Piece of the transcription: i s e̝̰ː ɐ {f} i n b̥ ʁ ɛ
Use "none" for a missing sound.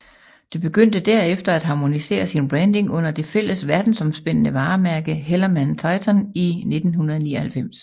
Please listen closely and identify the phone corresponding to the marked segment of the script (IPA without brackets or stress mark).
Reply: s